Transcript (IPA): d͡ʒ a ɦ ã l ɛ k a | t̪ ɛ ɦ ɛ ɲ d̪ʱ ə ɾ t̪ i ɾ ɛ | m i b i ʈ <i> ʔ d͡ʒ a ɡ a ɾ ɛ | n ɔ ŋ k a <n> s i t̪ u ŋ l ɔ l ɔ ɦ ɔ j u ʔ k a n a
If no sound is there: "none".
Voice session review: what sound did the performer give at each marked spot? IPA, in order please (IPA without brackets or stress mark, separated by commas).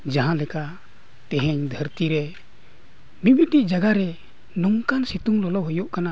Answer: i, n